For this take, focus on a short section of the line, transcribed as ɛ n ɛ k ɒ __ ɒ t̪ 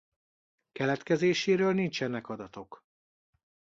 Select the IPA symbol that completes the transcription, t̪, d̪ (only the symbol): d̪